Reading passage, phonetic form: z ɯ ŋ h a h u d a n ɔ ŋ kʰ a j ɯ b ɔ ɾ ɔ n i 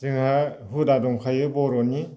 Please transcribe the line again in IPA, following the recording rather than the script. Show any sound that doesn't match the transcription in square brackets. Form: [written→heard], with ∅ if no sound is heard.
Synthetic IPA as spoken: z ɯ ŋ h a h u d a [n→d] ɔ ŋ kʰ a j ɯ b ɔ ɾ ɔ n i

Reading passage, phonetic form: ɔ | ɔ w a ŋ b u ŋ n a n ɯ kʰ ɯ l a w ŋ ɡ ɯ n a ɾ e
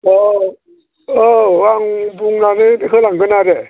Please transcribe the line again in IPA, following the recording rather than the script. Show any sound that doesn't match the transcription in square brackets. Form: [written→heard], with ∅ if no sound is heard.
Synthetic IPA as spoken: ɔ | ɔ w a ŋ b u ŋ n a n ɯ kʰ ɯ l a [w→∅] ŋ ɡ ɯ n a ɾ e

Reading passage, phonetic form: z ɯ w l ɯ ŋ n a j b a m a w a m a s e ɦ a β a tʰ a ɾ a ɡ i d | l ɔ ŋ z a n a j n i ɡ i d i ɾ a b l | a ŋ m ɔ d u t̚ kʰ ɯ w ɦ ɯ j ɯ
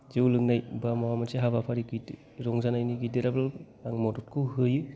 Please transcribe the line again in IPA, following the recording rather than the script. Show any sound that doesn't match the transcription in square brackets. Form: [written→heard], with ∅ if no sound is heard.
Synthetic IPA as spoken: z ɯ w l ɯ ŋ n a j b a m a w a m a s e ɦ a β a [tʰ→pʰ] a ɾ [a→i] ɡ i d | [l→ɾ] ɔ ŋ z a n a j n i ɡ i d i ɾ a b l | a ŋ m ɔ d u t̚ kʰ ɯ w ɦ ɯ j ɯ

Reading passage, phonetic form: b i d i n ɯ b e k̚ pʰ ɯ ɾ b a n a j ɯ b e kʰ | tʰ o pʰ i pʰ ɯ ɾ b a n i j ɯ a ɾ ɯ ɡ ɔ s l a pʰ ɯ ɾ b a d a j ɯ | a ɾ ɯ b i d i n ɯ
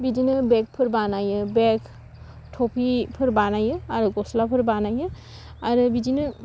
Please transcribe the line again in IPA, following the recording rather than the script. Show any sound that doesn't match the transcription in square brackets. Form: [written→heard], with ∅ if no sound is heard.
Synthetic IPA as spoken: b i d i n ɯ b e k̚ pʰ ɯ ɾ b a n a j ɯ b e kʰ | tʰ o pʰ i pʰ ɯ ɾ b a n [i→a] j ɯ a ɾ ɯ ɡ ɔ s l a pʰ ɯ ɾ b a [d→n] a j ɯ | a ɾ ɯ b i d i n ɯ

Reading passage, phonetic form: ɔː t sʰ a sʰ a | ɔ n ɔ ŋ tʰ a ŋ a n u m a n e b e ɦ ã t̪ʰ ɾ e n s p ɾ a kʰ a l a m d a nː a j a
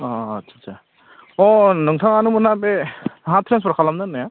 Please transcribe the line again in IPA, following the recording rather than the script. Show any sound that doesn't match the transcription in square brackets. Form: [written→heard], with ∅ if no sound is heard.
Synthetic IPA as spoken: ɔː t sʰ a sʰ a | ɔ n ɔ ŋ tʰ a ŋ a n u m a n [e→a] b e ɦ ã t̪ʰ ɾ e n s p ɾ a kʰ a l a m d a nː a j a

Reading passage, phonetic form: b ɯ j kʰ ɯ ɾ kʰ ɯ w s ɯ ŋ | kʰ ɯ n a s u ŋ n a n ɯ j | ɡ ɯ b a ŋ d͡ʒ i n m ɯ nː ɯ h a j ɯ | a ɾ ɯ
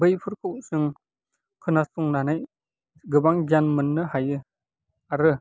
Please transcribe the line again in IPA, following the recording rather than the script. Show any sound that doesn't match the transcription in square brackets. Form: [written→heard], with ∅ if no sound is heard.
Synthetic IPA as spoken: b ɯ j [kʰ→pʰ] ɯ ɾ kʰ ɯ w s ɯ ŋ | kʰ ɯ n a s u ŋ n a n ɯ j | ɡ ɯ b a ŋ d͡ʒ [i→a] n m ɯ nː ɯ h a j ɯ | a ɾ ɯ

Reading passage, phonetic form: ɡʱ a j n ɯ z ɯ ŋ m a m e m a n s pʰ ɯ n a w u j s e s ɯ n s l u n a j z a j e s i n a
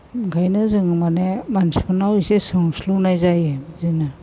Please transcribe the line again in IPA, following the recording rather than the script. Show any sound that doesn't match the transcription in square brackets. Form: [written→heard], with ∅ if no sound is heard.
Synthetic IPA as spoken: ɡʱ a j n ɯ z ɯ ŋ m a [m→n] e m a n s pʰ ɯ n a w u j s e s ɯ [n→ŋ] s l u n a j z a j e [s→z] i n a

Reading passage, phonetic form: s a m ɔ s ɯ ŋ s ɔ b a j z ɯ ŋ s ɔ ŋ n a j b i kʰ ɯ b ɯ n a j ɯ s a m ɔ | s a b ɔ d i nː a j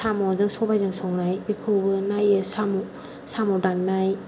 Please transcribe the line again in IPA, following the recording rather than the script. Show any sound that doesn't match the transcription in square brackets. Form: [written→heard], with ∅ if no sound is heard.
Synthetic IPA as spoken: s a m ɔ [s→z] ɯ ŋ s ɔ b a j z ɯ ŋ s ɔ ŋ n a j b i kʰ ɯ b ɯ n a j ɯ s a m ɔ | s a [b→m] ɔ d [i→a] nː a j

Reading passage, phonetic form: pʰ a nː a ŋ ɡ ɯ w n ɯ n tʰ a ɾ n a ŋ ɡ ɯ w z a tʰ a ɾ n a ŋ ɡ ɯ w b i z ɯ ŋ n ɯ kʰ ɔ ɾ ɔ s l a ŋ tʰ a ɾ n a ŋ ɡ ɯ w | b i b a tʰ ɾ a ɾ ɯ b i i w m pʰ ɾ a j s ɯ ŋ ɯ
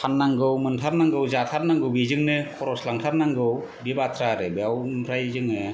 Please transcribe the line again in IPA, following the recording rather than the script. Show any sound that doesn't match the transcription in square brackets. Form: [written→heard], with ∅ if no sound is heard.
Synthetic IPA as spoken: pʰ a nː a ŋ ɡ ɯ w [n→m] ɯ n tʰ a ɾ n a ŋ ɡ ɯ w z a tʰ a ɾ n a ŋ ɡ ɯ w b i z ɯ ŋ n ɯ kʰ ɔ ɾ ɔ s l a ŋ tʰ a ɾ n a ŋ ɡ ɯ w | b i b a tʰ ɾ a ɾ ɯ b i [i→a] w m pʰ ɾ a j [s→z] ɯ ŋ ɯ

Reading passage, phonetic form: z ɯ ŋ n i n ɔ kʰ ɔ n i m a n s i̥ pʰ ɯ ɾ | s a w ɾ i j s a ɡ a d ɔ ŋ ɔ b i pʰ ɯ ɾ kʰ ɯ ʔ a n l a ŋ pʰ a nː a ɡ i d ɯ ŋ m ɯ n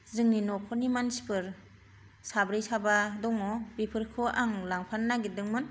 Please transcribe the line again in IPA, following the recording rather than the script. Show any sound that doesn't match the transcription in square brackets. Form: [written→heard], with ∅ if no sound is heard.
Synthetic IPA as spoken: z ɯ ŋ n i n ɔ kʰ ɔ n i m a n s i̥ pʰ ɯ ɾ | s a [w→b] ɾ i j s a [ɡ→b] a d ɔ ŋ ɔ b i pʰ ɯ ɾ kʰ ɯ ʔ a [n→ŋ] l a ŋ pʰ a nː a ɡ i d ɯ ŋ m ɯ n

